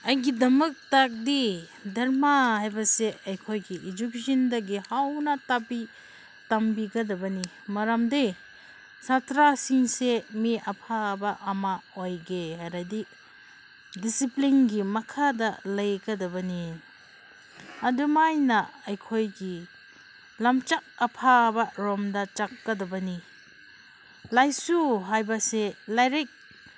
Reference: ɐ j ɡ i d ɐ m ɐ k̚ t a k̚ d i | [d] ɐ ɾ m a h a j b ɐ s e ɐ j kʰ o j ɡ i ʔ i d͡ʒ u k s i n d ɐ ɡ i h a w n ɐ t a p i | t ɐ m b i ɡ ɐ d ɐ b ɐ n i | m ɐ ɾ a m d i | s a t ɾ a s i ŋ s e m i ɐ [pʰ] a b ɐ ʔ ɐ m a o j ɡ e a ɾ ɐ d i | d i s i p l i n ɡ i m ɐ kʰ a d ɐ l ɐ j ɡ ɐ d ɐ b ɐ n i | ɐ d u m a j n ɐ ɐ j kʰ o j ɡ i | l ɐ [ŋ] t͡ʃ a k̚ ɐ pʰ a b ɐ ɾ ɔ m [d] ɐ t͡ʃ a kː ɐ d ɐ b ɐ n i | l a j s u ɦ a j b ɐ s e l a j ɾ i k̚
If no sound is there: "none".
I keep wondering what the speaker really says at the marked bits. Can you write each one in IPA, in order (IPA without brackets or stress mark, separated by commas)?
d, pʰ, m, d